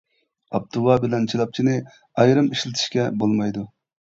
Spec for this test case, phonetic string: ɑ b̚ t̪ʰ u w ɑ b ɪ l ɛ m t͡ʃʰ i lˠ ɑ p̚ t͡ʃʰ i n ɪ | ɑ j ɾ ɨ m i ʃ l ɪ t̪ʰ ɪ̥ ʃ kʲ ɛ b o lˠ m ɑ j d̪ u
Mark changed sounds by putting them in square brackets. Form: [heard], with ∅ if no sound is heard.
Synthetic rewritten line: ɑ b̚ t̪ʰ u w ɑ b ɪ l ɛ [n] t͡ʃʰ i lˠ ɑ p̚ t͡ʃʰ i n ɪ | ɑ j ɾ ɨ m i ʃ l ɪ t̪ʰ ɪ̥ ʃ kʲ ɛ b o lˠ m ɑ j d̪ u